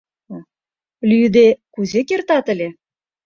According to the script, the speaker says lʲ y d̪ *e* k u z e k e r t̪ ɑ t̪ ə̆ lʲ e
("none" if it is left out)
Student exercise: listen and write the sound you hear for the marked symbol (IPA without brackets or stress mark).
e